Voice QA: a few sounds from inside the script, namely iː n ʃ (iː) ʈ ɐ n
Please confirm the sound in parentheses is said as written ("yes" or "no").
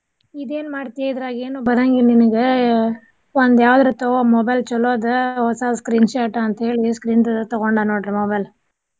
no